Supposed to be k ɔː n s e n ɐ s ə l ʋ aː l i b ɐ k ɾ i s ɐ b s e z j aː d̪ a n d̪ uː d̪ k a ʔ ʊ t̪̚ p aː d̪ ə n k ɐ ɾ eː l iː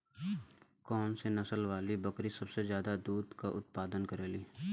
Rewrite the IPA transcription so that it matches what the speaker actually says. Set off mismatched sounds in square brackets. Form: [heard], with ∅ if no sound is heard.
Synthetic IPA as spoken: k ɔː n s e n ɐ s ə l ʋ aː l i b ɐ k ɾ i s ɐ b s e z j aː d̪ a [∅] d̪ uː d̪ k a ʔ ʊ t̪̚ p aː d̪ ə n k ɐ ɾ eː l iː